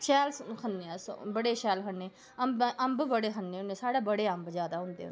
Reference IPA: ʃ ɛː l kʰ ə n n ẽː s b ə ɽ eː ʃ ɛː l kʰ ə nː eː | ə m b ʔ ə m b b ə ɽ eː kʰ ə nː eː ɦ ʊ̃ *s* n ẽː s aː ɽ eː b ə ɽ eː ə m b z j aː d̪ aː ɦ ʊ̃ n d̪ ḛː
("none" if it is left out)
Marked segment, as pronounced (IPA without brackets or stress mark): none